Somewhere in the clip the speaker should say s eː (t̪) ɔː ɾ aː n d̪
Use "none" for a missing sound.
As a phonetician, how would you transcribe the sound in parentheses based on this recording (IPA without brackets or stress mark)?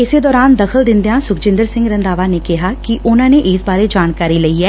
d̪